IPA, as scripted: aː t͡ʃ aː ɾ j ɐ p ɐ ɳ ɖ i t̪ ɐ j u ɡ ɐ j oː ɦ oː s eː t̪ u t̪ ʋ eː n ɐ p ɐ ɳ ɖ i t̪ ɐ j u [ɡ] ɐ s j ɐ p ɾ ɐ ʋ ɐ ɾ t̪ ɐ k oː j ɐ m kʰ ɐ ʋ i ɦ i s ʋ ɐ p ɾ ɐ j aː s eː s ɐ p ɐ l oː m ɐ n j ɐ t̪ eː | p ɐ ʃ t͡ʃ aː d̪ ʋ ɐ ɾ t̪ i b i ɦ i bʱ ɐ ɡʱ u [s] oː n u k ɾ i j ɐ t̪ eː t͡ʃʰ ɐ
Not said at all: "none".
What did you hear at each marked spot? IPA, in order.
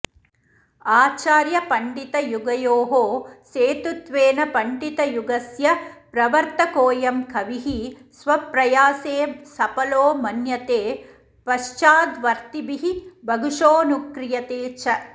ɡ, ʂ

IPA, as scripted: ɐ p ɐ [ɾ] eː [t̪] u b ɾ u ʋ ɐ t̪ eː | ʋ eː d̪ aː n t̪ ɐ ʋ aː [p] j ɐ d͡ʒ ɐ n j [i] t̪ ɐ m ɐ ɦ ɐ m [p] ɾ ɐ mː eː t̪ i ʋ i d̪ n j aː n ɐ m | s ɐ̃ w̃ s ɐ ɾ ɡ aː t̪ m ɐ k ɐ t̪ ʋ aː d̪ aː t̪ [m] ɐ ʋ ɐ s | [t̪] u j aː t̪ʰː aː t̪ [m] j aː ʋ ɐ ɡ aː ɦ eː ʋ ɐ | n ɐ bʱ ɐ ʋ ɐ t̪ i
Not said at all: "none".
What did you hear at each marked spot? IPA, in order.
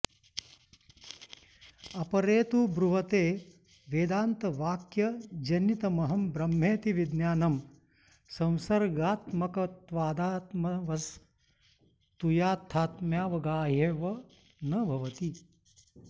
ɾ, t̪, k, i, b, m, t̪, m

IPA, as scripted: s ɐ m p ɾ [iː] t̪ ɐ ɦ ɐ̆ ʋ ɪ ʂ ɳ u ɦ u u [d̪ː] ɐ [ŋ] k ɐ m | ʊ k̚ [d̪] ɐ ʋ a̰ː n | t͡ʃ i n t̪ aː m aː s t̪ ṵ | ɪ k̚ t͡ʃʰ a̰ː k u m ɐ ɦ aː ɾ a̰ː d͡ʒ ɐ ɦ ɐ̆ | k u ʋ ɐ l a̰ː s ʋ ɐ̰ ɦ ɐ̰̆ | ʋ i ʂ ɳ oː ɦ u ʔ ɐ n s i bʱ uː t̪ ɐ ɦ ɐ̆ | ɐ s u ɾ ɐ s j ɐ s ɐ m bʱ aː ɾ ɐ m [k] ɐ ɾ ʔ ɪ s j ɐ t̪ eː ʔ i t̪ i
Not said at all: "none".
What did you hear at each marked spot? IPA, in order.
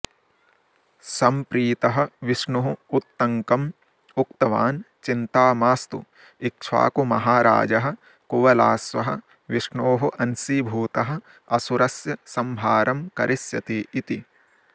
iː, t̪ː, ŋ, t̪, k

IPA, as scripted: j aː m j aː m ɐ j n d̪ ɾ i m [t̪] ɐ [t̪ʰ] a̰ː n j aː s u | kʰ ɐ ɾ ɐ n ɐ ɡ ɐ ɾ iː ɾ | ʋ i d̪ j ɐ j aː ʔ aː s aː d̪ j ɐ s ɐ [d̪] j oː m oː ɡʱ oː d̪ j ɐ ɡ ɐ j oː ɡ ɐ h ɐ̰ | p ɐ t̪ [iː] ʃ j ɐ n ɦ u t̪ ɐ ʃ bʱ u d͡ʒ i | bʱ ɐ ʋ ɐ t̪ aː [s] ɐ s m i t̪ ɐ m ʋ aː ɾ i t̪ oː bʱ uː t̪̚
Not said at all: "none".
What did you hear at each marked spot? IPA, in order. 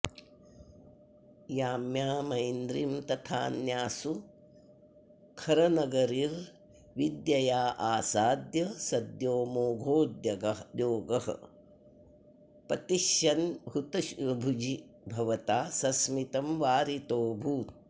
t̪, t̪ʰ, d̪, i, s

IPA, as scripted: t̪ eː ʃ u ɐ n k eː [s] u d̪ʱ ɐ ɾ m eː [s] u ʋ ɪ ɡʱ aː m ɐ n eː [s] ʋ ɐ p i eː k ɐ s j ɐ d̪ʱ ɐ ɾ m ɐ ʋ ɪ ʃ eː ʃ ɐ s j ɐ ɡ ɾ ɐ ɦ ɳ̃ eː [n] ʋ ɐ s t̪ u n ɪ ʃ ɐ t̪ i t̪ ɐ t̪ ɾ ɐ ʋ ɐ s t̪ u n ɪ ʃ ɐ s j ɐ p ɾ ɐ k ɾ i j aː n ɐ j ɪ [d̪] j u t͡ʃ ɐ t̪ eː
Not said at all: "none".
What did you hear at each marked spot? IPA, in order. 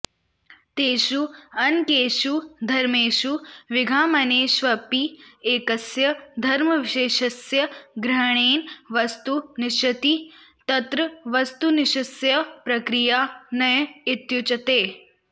ʃ, ʃ, ʃ, n, t̪

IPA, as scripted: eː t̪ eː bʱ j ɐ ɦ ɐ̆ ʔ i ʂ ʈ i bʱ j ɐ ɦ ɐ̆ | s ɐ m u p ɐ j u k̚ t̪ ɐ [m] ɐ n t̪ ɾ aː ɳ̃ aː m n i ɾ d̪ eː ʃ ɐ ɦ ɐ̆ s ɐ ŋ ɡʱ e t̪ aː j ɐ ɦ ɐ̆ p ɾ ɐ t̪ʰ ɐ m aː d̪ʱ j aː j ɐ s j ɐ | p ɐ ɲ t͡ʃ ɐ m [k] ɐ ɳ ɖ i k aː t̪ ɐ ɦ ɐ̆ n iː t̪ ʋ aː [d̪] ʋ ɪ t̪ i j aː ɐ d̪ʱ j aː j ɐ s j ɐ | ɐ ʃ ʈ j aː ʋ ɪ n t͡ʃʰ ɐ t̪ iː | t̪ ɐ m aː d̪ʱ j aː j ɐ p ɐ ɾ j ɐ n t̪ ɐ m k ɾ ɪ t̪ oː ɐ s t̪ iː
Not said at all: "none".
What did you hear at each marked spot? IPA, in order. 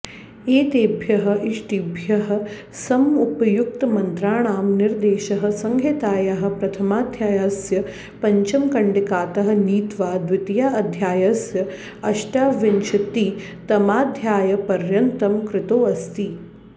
m, k, d̪

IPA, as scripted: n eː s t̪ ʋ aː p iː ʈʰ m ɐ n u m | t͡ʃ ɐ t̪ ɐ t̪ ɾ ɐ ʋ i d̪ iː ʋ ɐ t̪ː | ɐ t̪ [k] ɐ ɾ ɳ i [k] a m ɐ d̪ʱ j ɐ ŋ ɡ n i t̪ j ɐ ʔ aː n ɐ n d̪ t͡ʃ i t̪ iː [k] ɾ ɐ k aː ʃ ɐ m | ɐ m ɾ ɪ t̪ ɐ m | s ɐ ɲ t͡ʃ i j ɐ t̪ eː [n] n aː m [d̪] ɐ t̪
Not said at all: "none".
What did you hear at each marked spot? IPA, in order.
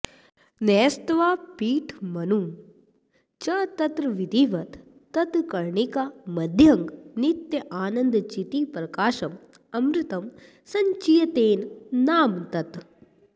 k, k, p, n, t̪

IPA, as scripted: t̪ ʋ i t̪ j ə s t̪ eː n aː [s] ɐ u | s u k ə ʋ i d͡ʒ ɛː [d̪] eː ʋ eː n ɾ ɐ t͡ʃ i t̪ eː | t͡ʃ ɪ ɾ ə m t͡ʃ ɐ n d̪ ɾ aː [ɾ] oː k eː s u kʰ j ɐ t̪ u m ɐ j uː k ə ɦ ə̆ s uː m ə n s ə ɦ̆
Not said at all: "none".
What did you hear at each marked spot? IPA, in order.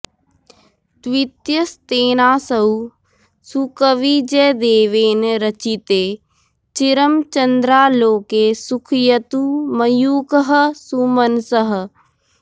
s, d̪, l

